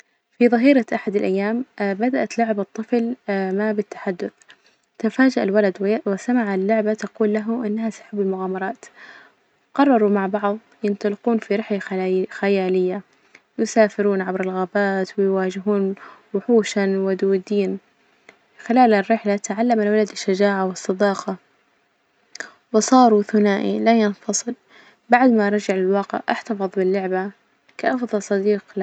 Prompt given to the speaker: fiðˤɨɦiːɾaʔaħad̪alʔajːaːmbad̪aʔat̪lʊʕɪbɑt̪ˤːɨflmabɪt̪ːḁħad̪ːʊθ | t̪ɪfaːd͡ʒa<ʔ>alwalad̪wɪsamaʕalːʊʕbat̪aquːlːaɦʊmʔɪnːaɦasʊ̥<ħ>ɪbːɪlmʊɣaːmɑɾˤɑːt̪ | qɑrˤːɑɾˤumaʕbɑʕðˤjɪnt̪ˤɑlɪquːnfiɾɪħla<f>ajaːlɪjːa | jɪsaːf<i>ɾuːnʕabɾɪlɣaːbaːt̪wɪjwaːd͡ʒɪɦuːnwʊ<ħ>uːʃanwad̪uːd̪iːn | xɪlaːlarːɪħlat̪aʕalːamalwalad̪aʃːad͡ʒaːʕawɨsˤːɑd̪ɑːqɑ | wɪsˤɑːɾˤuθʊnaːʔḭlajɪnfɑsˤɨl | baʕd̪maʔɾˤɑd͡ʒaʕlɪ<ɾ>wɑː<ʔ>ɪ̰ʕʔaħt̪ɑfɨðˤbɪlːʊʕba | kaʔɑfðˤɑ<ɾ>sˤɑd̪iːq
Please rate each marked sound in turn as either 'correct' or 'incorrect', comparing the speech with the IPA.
correct, correct, incorrect: x, incorrect: ɪ, correct, incorrect: l, incorrect: q, incorrect: l

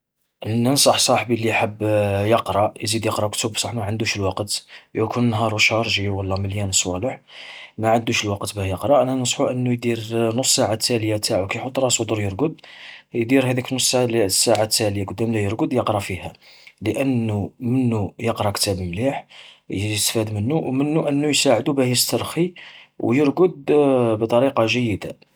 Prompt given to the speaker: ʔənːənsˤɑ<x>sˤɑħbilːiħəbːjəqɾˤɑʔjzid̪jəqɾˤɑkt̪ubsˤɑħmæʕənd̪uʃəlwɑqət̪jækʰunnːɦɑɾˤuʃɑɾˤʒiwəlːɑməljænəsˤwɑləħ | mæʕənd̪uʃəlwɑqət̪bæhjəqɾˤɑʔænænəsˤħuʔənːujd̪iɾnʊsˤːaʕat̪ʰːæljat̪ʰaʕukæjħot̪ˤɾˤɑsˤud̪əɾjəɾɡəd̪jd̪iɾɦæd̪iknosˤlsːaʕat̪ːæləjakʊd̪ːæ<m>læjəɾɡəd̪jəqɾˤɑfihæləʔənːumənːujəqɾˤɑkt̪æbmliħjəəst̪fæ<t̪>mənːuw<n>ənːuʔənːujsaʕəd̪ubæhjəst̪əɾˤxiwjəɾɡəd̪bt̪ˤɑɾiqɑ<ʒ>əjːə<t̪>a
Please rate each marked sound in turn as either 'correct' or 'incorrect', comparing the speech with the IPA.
incorrect: ħ, correct, incorrect: d̪, incorrect: m, correct, incorrect: d̪

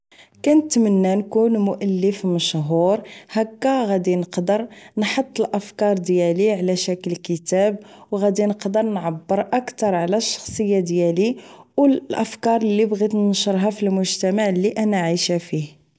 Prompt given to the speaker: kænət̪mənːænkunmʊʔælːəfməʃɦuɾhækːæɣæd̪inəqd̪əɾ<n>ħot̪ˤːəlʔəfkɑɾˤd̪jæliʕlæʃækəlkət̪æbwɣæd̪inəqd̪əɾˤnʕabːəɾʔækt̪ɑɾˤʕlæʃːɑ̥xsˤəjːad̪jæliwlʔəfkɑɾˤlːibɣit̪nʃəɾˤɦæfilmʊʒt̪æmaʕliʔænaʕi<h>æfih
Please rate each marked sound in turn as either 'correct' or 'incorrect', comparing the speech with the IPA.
correct, incorrect: ʃ

